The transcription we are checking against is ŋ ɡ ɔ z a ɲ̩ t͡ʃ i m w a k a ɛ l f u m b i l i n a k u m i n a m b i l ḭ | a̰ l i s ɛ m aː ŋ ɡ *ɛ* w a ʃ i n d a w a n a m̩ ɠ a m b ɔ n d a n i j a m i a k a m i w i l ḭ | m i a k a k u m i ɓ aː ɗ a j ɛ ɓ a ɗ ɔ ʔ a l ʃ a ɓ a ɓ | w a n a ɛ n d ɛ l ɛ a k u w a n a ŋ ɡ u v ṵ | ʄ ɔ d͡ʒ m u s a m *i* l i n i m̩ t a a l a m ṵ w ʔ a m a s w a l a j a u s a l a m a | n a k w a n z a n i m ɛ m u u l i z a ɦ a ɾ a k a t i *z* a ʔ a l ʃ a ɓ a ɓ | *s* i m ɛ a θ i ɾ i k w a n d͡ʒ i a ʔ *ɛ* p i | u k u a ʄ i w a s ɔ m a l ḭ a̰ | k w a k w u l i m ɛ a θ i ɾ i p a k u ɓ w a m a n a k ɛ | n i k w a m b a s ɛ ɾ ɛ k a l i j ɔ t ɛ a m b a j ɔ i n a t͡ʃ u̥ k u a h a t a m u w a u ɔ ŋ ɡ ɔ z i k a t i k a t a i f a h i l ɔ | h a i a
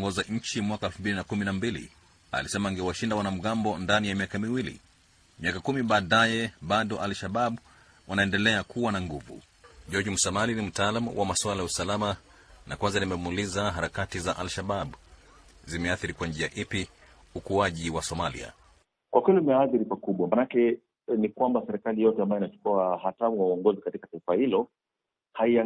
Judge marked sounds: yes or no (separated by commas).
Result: yes, no, yes, no, no